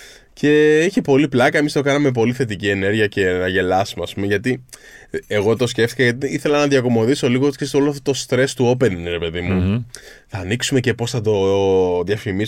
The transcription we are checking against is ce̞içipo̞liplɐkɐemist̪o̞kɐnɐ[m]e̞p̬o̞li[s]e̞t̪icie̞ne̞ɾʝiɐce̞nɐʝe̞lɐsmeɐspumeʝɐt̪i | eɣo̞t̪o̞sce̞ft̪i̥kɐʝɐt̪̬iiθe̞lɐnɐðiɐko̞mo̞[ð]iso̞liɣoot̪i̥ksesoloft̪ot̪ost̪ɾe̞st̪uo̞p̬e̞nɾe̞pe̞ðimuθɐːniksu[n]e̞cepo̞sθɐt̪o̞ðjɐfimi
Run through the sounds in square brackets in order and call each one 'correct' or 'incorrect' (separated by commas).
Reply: correct, incorrect, correct, incorrect